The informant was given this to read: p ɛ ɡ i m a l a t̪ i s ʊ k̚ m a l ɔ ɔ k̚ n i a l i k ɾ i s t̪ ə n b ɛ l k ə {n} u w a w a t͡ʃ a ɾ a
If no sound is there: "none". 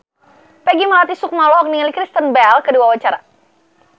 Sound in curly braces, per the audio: d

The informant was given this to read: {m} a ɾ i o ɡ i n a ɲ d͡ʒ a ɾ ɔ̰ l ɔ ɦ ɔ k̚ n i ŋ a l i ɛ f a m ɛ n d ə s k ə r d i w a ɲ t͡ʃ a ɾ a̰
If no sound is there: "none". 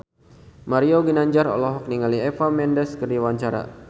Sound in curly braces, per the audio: m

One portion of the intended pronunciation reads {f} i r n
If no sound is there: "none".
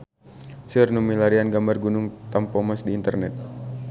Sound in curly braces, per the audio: s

